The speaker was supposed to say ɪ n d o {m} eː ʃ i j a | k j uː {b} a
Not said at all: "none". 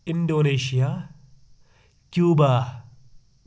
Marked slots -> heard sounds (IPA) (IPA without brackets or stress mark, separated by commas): n, b